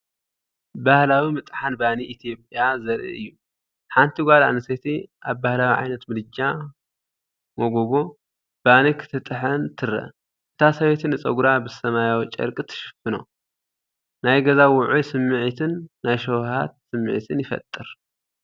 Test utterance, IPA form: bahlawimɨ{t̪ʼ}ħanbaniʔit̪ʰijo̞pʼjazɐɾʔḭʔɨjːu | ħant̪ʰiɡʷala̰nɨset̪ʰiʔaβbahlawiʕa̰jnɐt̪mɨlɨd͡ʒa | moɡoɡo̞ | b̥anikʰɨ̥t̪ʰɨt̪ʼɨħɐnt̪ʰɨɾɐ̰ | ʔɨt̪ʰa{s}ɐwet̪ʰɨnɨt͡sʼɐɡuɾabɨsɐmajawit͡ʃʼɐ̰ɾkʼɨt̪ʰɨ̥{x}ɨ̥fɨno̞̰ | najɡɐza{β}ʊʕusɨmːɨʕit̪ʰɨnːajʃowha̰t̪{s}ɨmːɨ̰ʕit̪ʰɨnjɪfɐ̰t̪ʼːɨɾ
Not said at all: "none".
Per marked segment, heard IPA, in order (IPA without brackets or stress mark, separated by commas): t̪ʼ, s, ʃ, w, s